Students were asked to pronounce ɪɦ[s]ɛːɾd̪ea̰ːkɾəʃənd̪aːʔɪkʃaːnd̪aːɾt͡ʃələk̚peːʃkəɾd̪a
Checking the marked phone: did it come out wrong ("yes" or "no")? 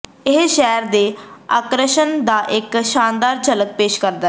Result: yes